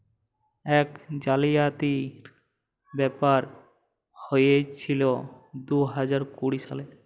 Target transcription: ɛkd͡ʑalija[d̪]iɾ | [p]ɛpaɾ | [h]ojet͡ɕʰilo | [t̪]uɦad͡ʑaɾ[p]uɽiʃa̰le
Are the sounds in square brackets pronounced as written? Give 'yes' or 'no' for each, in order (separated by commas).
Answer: no, no, yes, no, no